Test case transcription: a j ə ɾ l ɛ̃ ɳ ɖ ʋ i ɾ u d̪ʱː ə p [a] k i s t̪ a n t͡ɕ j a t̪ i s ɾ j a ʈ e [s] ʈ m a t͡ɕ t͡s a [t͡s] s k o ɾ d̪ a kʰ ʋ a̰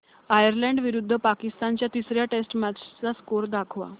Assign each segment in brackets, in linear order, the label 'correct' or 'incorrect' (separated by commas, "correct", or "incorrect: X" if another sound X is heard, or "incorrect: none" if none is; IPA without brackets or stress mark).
correct, correct, incorrect: none